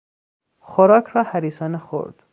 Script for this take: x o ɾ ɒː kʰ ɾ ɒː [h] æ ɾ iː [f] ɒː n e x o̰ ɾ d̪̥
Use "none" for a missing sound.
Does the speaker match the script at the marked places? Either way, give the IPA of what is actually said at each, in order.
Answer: h, s

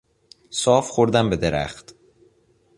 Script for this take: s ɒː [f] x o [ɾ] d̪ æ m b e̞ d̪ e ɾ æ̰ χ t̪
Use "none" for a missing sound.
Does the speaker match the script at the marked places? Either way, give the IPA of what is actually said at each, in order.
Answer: f, ɾ

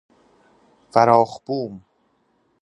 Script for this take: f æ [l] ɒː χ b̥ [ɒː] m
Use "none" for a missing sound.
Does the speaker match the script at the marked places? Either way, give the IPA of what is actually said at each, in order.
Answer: ɾ, uː

